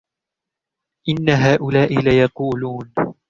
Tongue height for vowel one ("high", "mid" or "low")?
high